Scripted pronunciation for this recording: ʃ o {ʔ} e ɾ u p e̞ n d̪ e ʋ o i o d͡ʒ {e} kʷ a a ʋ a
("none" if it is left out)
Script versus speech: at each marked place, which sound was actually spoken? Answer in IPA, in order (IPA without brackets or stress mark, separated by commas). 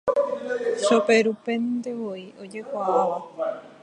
p, e